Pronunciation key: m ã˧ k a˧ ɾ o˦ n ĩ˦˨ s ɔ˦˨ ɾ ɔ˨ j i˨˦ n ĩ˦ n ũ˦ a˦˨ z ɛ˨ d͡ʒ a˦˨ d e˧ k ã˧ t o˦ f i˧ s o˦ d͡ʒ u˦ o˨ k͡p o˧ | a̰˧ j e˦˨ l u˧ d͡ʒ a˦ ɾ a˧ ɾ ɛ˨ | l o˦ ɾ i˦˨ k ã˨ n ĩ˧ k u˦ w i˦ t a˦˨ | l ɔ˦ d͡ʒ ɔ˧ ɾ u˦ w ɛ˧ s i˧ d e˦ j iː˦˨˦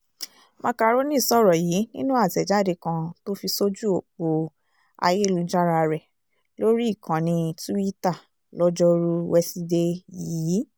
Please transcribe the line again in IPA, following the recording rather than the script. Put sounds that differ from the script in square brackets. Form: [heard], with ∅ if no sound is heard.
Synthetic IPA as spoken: m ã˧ k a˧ ɾ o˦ n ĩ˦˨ s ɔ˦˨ ɾ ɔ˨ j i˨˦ n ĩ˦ n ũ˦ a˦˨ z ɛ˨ d͡ʒ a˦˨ d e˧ k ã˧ t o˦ f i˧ s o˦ d͡ʒ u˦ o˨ k͡p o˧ | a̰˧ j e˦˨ l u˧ d͡ʒ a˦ ɾ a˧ ɾ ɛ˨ | l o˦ ɾ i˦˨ k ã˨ n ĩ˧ [t] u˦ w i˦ t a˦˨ | l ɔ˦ d͡ʒ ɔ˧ ɾ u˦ w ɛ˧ s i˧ d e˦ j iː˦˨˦